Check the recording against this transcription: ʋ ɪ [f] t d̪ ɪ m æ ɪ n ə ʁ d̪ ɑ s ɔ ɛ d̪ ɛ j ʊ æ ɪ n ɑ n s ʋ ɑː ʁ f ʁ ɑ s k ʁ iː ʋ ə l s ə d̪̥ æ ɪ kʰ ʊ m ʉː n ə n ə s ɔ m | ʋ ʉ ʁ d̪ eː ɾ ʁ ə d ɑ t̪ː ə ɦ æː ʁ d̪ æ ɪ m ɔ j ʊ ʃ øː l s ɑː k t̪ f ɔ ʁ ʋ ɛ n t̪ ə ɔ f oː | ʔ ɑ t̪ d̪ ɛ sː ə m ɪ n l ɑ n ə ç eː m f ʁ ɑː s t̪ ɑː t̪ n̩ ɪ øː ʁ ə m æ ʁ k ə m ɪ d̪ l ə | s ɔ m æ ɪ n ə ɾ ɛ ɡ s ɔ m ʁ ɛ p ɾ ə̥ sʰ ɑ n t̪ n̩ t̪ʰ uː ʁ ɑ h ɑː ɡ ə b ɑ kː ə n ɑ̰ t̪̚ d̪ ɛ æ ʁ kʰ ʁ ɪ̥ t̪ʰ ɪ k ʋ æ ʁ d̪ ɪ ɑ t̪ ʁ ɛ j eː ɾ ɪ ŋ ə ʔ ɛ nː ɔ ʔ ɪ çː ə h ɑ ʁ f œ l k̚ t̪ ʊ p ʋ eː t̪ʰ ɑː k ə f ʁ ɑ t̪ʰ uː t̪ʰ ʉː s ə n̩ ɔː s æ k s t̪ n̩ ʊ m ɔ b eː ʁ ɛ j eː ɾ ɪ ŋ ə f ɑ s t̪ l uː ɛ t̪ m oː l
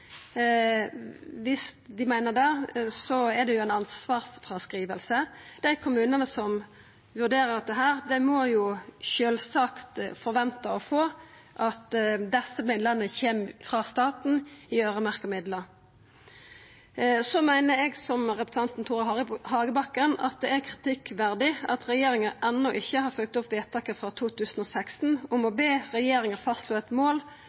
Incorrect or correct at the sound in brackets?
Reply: incorrect: s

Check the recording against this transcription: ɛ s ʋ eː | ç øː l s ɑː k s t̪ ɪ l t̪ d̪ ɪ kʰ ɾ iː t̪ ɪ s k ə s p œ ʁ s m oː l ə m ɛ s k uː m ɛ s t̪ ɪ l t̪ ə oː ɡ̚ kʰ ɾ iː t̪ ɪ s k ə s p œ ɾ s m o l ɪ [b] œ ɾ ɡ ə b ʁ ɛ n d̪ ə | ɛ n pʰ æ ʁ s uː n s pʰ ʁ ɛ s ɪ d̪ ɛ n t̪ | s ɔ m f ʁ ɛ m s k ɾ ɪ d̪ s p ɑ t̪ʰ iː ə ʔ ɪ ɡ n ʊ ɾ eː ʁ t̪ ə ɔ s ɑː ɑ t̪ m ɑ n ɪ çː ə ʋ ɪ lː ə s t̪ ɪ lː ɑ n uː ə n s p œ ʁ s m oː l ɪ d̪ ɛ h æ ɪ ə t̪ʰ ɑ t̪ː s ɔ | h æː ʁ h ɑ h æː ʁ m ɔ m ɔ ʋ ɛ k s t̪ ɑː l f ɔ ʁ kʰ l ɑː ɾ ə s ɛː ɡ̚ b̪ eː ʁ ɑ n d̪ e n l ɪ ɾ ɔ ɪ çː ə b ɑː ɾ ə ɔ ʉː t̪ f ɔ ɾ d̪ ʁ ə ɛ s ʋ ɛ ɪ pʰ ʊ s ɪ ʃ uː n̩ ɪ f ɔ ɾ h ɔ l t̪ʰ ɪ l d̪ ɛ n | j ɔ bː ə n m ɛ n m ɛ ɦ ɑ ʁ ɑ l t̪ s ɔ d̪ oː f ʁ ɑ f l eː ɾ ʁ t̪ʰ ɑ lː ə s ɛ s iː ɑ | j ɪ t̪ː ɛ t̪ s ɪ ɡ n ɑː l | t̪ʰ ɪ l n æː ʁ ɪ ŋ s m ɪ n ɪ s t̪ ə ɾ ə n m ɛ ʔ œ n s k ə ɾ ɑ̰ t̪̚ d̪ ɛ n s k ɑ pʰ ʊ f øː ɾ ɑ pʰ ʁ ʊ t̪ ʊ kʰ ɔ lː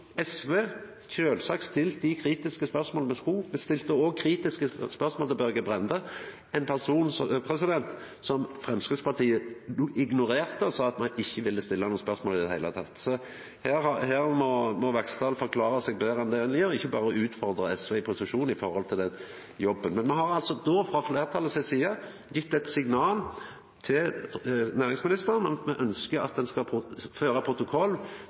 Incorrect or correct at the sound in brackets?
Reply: correct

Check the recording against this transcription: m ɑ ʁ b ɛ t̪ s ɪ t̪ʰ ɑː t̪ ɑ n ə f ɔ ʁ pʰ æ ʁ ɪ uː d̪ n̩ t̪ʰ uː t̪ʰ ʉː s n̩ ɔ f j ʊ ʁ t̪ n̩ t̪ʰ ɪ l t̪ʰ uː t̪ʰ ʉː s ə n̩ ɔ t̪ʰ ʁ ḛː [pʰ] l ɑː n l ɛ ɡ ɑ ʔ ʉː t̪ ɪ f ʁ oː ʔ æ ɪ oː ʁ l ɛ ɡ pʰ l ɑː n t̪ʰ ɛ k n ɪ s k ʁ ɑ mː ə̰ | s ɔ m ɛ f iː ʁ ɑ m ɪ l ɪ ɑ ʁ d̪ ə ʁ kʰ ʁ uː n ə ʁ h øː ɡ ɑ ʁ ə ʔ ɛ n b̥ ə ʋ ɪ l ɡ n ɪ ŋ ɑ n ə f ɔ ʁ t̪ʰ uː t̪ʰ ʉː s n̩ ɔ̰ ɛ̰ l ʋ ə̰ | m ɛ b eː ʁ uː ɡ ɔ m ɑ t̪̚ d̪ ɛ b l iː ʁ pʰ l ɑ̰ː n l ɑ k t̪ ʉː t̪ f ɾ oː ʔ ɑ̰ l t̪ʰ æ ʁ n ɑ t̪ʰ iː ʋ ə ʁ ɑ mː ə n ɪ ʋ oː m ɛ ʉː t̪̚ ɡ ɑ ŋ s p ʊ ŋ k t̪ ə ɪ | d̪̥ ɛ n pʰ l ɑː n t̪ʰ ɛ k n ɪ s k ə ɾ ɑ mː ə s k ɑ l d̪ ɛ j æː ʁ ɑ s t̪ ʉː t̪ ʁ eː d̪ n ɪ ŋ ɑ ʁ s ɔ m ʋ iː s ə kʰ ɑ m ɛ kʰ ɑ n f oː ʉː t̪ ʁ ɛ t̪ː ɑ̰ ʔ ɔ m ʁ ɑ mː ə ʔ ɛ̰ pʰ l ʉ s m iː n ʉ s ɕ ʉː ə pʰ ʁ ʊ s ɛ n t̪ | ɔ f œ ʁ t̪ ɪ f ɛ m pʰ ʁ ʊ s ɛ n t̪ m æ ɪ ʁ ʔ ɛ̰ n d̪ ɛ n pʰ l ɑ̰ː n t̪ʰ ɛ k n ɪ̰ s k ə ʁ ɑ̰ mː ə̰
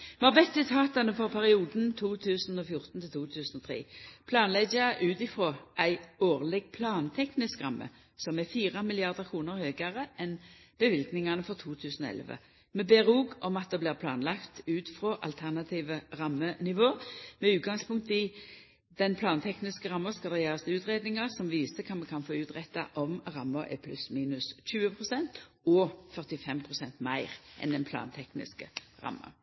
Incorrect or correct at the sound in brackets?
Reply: correct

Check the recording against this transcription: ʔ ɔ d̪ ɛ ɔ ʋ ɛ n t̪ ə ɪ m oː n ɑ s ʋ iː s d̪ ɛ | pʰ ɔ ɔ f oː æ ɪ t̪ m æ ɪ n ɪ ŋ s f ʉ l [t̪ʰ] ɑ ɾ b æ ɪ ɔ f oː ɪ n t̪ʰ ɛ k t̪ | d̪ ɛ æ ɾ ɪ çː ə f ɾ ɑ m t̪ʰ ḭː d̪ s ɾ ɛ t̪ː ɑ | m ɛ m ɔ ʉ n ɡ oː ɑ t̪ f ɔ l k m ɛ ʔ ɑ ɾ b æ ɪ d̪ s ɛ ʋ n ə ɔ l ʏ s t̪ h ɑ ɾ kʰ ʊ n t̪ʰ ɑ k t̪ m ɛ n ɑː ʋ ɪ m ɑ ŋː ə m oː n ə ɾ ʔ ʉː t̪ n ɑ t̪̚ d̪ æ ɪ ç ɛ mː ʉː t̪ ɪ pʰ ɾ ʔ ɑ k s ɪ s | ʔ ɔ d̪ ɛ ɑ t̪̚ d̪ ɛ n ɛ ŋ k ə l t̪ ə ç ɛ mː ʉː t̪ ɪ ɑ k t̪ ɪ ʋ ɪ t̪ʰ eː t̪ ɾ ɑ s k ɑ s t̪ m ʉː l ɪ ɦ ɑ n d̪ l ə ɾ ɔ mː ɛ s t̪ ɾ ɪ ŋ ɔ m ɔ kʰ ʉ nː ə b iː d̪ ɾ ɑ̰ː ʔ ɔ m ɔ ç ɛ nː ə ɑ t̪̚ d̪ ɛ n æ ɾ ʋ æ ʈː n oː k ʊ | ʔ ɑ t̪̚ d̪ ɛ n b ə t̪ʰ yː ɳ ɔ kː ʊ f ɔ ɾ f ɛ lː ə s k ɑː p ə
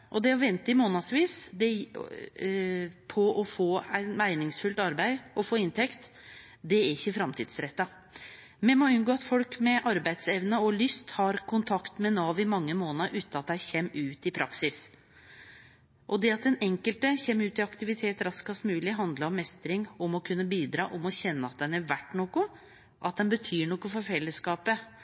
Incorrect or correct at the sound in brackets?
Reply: incorrect: t̪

